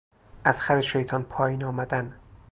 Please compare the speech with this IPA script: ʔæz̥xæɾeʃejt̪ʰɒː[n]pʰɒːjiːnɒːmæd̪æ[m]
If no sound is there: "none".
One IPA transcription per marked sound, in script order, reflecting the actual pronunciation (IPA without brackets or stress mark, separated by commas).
n, n